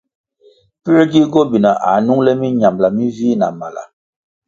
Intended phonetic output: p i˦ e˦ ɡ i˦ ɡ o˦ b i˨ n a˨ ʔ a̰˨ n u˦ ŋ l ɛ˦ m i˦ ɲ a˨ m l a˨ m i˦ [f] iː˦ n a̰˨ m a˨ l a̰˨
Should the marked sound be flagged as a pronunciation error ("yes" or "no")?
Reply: yes